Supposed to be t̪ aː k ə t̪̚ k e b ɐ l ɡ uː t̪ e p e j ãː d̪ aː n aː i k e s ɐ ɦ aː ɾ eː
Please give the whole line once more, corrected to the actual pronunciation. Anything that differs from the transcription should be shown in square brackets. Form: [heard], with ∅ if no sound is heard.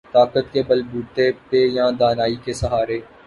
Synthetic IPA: t̪ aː k ə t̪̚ k e b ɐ l [b] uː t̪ e p e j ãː d̪ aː n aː i k e s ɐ ɦ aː ɾ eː